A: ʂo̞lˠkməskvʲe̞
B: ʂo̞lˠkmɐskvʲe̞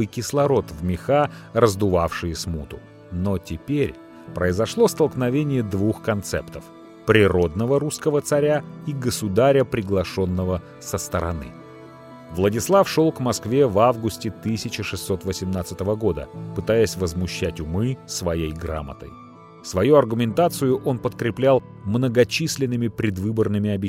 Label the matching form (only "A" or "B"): B